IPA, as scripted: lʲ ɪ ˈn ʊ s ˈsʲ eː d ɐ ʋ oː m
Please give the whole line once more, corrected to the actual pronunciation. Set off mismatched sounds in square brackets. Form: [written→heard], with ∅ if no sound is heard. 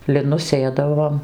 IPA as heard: lʲ ɪ ˈn ʊ s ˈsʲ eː d ɐ ʋ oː m